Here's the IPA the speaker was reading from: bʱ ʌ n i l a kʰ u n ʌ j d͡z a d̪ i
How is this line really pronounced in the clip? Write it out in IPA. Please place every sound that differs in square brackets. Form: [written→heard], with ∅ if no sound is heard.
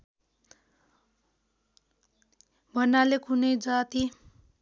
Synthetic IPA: bʱ ʌ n [i→a] l [a→e] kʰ u n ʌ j d͡z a [d̪→t̪] i